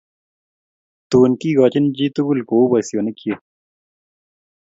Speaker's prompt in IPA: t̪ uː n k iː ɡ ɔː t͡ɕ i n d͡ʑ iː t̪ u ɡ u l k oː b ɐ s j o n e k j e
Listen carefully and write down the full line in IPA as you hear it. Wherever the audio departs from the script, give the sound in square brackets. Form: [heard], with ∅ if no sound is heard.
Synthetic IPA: t̪ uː n k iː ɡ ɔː t͡ɕ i n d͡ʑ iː t̪ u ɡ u l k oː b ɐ s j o n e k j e